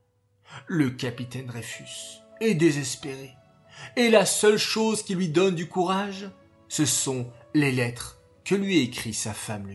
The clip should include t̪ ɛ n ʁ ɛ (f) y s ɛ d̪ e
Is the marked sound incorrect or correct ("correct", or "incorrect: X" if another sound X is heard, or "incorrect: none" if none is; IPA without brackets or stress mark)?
correct